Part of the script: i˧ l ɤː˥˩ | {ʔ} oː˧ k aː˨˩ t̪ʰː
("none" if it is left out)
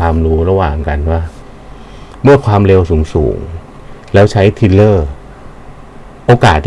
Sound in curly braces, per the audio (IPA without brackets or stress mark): ʔ